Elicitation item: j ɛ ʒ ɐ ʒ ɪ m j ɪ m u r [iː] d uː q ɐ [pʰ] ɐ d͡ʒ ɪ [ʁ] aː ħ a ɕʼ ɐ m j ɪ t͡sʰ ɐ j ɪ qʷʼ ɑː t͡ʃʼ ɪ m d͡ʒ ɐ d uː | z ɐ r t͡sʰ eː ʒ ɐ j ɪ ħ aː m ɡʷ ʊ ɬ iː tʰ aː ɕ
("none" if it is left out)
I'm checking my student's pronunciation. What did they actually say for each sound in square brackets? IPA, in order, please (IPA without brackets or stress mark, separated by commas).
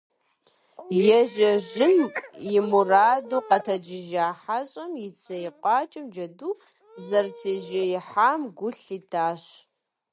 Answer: aː, tʰ, ʒ